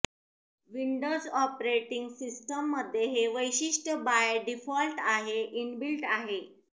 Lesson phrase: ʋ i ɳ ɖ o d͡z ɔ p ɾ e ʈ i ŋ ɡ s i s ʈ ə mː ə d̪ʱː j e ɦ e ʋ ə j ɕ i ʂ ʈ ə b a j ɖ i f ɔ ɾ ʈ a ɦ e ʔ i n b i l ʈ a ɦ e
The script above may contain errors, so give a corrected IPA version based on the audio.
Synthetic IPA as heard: ʋ i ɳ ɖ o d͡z ɔ p ɾ e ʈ i ŋ ɡ s i s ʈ ə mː ə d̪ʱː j e ɦ e ʋ ə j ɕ i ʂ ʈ ə b a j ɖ i f ɔ l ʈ a ɦ e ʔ i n b i l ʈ a ɦ e